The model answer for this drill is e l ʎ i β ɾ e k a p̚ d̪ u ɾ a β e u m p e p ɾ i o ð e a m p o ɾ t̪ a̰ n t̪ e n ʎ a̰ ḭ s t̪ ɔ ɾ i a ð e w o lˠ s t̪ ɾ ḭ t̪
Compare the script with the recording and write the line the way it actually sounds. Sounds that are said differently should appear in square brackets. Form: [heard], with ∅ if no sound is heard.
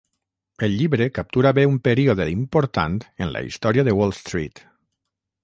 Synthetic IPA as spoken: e l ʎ i β ɾ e k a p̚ [t̪] u ɾ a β e u m p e [∅] ɾ i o ð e [i] m p o ɾ t̪ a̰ n t̪ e n [l] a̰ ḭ s t̪ ɔ ɾ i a ð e w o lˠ s t̪ ɾ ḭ t̪